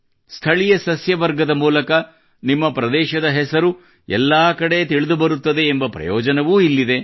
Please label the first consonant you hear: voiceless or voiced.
voiceless